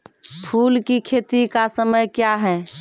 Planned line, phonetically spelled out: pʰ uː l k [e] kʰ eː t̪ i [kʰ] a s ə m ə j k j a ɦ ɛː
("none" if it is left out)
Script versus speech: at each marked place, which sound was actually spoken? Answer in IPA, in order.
i, k

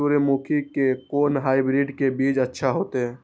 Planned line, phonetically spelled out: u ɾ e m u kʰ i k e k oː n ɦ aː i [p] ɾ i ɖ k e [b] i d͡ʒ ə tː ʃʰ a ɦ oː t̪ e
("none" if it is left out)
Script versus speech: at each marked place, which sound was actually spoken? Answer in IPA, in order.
b, b

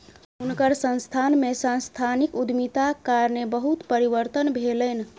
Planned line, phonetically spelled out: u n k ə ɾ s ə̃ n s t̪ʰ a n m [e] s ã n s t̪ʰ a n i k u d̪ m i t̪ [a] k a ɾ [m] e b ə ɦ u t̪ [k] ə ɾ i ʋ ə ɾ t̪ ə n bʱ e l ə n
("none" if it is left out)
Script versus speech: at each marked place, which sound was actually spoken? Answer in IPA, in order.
e, a, n, p

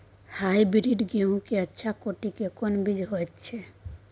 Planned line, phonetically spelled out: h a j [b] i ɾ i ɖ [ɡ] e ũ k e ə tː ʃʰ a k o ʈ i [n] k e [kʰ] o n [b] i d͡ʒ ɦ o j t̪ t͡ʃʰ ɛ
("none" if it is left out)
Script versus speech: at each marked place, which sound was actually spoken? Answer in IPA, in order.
b, ɡ, none, k, b

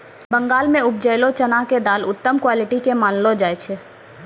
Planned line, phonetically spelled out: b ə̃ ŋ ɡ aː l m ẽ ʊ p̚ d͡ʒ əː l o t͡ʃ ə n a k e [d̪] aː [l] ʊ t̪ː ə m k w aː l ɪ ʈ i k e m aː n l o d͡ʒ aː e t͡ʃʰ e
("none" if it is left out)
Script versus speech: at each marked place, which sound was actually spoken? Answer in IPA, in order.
d̪, l

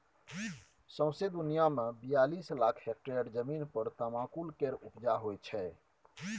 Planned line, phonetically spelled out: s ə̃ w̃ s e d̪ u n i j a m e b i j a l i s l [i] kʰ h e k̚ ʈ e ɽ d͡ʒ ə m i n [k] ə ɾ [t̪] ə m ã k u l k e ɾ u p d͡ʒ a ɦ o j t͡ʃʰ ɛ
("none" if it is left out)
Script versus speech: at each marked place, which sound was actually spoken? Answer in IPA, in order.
a, p, t̪

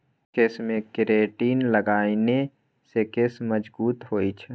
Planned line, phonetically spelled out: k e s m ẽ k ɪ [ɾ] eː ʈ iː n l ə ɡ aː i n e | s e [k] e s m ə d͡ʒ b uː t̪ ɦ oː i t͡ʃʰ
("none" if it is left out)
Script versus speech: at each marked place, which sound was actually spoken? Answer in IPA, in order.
ɾ, k

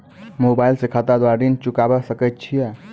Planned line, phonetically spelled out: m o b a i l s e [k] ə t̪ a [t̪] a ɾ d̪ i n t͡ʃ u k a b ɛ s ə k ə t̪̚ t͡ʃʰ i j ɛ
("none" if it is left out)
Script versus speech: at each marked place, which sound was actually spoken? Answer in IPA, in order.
kʰ, d̪

